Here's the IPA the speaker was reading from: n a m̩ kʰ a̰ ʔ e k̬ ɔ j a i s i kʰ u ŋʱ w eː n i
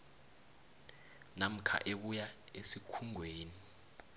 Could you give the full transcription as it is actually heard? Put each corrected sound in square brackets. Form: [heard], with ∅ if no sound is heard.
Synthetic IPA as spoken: n a m̩ kʰ a̰ ʔ e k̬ [u] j a [e] s i kʰ u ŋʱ w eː n i